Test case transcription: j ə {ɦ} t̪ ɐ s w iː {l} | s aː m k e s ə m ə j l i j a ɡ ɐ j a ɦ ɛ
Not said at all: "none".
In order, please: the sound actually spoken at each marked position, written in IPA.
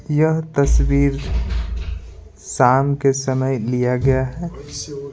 ɦ, ɾ

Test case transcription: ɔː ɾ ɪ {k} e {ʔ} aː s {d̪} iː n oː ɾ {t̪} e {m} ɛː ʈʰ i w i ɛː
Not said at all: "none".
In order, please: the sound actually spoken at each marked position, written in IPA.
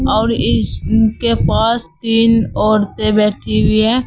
k, p, t̪, t̪, b

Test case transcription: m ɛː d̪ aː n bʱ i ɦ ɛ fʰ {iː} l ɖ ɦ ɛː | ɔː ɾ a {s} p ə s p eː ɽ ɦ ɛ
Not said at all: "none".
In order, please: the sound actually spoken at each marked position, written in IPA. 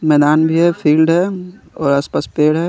iː, s

